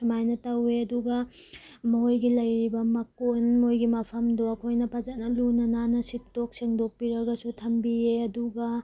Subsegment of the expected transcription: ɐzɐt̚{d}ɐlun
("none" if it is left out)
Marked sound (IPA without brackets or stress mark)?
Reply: n